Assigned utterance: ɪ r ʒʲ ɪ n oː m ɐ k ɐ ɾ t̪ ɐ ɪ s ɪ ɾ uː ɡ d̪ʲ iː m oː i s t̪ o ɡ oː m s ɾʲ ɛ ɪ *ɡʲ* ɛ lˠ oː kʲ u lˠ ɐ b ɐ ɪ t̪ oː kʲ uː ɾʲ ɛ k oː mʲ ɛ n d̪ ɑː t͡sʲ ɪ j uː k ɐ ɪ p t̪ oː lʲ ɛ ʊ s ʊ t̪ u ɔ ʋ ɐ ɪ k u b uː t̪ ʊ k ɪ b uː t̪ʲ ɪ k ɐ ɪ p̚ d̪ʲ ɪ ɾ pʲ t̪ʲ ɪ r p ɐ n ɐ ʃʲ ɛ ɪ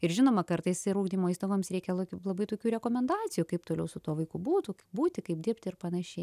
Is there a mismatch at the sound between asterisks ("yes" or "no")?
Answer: yes